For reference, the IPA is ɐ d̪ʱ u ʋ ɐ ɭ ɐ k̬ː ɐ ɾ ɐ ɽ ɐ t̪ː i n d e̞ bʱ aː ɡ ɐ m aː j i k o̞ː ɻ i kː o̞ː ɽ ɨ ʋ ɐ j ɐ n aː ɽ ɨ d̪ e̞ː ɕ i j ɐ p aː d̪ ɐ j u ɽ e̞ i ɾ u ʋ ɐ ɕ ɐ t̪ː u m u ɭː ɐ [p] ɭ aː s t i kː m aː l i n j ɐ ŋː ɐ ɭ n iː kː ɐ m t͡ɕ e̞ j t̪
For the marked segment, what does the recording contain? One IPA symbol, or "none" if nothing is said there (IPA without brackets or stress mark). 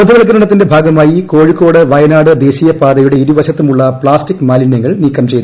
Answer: p